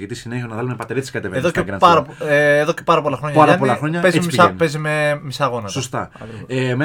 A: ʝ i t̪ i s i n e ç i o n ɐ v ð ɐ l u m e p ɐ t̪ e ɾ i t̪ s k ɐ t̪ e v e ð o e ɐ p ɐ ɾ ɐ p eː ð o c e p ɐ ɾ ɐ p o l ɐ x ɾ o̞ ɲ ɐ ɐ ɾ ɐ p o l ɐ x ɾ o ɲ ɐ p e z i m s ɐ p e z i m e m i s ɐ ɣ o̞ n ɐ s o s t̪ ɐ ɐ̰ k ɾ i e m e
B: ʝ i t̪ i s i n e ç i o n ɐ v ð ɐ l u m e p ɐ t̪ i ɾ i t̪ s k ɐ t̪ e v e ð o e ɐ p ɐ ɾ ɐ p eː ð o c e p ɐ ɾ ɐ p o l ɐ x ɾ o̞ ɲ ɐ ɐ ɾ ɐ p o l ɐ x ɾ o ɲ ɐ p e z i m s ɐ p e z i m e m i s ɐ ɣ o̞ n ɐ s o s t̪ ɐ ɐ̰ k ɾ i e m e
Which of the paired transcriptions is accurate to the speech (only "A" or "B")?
A